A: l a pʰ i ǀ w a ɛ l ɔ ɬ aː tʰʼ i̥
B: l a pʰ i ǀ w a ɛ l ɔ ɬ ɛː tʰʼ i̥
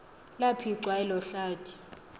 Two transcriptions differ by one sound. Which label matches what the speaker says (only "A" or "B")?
A